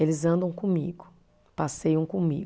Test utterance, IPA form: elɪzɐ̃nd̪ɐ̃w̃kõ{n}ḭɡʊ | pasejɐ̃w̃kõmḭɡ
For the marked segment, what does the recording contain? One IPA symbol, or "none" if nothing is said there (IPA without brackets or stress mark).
m